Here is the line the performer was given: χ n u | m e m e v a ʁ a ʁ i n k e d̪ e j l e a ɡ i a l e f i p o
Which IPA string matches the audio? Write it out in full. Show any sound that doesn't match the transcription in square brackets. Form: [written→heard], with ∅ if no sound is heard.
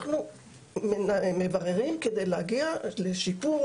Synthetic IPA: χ n u | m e m e v a ʁ [a→e] ʁ i [n→m] k e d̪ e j l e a ɡ i a l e [f→ʃ] i p [o→u]